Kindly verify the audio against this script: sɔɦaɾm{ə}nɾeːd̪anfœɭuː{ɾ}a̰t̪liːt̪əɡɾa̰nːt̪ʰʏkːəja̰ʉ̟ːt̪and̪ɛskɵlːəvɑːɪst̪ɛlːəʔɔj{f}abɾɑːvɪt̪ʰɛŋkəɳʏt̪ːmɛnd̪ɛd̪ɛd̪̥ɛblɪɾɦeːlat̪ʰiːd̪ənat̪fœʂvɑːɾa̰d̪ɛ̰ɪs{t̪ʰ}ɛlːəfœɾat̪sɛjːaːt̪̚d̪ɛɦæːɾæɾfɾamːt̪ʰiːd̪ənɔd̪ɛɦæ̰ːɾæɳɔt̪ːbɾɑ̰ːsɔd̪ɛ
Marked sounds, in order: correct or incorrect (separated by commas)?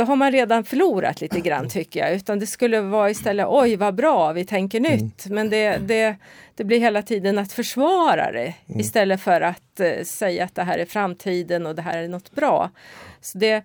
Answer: incorrect, correct, incorrect, incorrect